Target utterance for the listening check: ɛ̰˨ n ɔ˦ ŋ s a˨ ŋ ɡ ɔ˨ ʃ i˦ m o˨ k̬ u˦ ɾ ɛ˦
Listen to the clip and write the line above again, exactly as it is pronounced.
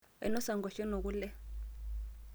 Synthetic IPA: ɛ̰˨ n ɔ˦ s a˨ ŋ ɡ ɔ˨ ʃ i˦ n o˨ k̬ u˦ l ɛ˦